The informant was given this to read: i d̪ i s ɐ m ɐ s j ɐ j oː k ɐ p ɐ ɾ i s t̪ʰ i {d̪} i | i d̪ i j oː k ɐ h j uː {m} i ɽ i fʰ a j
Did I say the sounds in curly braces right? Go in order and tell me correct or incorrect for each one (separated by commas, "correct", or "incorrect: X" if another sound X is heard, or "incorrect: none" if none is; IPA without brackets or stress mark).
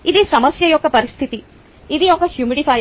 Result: incorrect: t̪, correct